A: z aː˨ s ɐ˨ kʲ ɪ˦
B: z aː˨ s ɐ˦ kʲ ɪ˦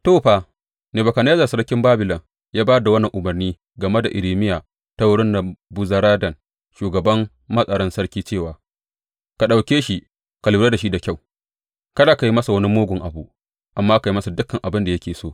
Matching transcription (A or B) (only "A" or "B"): B